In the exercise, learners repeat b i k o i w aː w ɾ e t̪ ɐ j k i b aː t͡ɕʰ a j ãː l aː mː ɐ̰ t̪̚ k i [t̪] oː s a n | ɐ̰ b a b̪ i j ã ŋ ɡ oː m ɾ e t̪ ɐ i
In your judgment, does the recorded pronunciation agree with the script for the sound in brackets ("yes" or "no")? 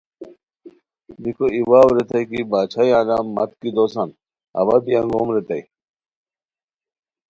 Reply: no